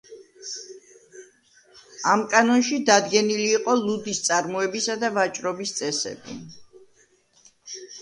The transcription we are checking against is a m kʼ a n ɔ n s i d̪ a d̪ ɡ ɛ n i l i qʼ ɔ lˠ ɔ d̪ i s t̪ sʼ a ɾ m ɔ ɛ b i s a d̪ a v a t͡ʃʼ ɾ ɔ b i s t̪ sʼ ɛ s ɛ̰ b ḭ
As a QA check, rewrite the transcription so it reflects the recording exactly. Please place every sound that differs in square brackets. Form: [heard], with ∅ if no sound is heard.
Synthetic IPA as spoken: a m kʼ a n ɔ n [ʃ] i d̪ a d̪ ɡ ɛ n i l [iː] qʼ ɔ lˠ [u] d̪ i s t̪ sʼ a ɾ m ɔ ɛ b i s a d̪ a v a t͡ʃʼ ɾ ɔ b i s t̪ sʼ ɛ s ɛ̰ b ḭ